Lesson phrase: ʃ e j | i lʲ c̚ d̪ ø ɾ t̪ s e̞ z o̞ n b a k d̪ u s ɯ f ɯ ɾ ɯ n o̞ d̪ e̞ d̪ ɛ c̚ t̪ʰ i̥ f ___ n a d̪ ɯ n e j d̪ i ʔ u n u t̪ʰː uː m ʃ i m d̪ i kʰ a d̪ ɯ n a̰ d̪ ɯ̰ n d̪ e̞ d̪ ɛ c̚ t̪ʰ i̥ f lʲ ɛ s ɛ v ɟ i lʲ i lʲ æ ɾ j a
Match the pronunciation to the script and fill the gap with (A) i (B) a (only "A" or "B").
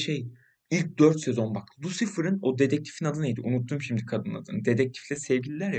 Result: A